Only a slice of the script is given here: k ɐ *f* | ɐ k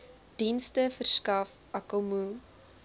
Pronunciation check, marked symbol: correct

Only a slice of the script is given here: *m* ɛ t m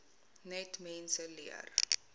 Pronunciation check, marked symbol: incorrect: n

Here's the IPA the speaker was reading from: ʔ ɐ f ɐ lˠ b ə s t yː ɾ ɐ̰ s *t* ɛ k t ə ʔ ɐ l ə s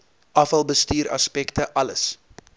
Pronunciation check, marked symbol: incorrect: p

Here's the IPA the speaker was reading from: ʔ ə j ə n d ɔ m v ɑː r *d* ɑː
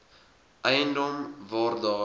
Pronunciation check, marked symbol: correct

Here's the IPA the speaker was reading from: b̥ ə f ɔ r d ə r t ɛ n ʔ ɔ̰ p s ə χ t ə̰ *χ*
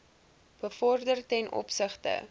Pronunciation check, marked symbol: incorrect: none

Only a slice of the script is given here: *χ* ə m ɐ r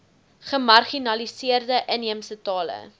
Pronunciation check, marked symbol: correct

